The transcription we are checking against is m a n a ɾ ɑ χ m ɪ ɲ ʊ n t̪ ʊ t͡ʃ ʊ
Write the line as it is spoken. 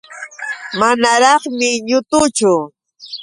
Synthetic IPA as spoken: m a n a ɾ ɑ χ m ɪ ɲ ʊ t̪ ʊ t͡ʃ ʊ